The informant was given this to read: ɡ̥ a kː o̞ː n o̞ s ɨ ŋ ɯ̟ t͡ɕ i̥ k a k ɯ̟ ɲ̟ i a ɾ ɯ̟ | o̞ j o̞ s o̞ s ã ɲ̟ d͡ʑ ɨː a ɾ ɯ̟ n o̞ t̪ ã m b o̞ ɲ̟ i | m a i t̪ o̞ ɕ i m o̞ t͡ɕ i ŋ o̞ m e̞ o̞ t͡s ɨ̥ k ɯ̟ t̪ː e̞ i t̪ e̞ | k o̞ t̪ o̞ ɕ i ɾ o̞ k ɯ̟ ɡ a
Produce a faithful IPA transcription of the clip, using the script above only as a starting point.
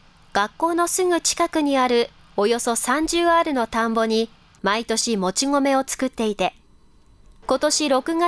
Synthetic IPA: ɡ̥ a kː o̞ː n o̞ s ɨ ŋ ɯ̟ t͡ɕ i̥ k a k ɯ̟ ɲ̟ i a ɾ ɯ̟ | o̞ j o̞ s o̞ s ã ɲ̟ d͡ʑ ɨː a ɾ ɯ̟ n o̞ t̪ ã m b o̞ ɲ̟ i | m a i t̪ o̞ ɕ i m o̞ t͡ɕ i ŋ o̞ m e̞ o̞ t͡s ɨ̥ k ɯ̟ t̪ː e̞ i t̪ e̞ | k o̞ t̪ o̞ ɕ i ɾ o̞ k ɯ̟ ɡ a